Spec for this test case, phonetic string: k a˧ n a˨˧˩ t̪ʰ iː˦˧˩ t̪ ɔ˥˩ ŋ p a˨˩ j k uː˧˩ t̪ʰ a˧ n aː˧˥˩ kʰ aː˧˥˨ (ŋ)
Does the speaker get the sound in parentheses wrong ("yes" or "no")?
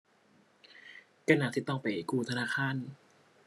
yes